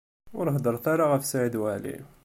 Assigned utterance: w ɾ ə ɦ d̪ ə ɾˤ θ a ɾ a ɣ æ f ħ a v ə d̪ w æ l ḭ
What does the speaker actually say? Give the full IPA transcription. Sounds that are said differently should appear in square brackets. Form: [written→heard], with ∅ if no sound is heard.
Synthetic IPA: w ɾ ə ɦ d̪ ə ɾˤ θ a ɾ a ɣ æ f [ħ→s] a [v→ʕ] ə d̪ w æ l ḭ

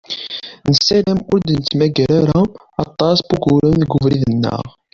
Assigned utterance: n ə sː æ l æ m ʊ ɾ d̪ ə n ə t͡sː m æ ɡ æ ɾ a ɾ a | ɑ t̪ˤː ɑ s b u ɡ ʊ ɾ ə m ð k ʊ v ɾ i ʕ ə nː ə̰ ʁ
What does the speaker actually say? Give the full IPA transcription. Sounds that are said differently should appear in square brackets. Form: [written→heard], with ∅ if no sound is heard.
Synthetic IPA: n ə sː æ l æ m ʊ ɾ d̪ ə n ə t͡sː m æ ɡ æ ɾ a ɾ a | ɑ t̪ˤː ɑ s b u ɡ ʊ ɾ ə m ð [k→ɡ] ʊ v ɾ i [ʕ→ð] ə nː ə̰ ʁ

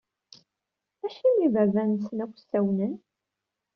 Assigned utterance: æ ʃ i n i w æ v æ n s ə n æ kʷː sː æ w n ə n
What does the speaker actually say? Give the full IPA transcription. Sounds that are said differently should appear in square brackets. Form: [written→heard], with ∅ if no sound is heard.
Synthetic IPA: æ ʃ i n i [w→v] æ v æ n s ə n æ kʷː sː æ w n ə n

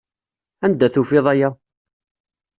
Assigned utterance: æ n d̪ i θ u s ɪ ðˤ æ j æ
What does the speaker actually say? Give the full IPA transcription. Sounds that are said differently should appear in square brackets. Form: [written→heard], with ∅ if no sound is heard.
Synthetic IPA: æ n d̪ [i→æ] θ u [s→f] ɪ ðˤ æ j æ

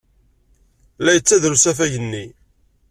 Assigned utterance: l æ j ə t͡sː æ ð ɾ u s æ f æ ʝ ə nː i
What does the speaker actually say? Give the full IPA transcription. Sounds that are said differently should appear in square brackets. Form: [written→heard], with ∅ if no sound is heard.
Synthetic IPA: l æ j ə t͡sː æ ð ɾ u s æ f æ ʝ ə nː i

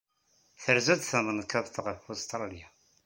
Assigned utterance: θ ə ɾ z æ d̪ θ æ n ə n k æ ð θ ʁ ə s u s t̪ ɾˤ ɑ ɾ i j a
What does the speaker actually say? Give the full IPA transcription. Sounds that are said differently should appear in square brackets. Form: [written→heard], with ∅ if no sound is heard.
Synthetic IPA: θ ə ɾ z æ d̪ θ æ [n→m] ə n k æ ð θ ʁ ə [s→f] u s t̪ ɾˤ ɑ [ɾ→l] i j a

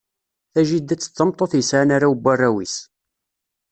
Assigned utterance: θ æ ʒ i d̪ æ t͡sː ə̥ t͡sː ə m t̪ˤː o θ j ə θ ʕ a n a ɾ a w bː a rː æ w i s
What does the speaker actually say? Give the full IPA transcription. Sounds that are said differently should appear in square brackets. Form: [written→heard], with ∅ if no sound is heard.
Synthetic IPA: θ æ ʒ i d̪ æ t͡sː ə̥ t͡sː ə m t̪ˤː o θ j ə [θ→s] ʕ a n a ɾ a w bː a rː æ w i s

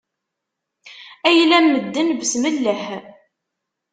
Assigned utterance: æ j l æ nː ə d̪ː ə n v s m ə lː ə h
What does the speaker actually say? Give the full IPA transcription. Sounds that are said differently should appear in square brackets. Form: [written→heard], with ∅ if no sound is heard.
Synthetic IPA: æ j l æ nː ə d̪ː ə n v s m ə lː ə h

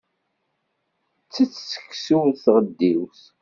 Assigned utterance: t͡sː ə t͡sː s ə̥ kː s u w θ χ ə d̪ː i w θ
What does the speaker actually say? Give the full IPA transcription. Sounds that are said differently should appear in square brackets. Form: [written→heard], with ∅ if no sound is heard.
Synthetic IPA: t͡sː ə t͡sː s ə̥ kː s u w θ [χ→ʁ] ə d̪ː i w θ

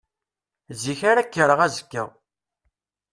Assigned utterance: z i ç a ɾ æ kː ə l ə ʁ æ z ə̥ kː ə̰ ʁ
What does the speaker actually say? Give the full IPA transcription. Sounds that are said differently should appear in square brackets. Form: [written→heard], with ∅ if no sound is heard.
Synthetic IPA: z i ç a ɾ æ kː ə [l→ɾ] ə ʁ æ z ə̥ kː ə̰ ʁ

